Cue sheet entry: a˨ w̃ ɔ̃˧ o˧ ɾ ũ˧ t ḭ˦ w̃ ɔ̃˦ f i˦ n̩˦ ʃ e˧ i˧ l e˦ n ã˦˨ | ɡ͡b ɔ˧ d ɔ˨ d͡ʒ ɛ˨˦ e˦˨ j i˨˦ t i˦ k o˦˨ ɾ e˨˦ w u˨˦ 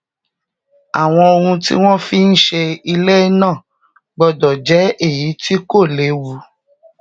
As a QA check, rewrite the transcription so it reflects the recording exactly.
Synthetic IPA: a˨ w̃ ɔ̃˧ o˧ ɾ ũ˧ t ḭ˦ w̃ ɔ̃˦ f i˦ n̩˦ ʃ e˧ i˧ l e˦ n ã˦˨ | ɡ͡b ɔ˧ d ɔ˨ d͡ʒ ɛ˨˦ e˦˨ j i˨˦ t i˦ k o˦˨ l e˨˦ w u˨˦